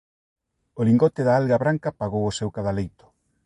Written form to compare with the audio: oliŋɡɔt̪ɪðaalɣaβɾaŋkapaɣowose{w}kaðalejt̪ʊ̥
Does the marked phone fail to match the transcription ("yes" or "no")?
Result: no